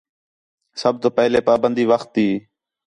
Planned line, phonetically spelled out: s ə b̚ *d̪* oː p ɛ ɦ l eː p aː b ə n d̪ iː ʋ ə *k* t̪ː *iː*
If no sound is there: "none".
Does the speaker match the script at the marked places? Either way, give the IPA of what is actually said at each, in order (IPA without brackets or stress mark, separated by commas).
t̪, x, iː